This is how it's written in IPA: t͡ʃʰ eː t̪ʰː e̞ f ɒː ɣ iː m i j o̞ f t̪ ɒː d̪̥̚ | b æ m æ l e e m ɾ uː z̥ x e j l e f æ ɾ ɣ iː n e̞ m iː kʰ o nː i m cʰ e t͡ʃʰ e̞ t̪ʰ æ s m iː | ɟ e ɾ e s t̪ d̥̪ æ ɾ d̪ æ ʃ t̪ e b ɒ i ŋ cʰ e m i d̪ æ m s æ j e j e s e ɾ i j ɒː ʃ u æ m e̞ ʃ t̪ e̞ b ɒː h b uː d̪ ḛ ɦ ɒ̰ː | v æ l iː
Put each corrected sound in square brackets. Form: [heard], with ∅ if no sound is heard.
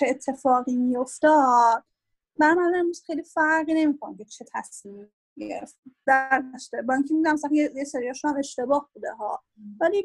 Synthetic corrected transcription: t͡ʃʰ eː t̪ʰː e̞ f ɒː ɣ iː m i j o̞ f t̪ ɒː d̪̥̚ | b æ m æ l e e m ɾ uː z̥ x e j l [i] f æ ɾ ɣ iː n e̞ m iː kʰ o [n] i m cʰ e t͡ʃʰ e̞ t̪ʰ æ s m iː | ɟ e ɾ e [f] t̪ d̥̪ æ ɾ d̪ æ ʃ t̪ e b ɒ i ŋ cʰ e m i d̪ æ m s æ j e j e s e ɾ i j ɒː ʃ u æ m e̞ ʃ t̪ e̞ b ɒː h b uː d̪ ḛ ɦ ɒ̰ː | v æ l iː